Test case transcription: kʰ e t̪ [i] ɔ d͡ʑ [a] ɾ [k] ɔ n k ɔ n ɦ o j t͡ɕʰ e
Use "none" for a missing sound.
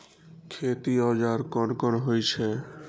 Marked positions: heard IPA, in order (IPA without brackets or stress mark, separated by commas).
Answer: i, a, k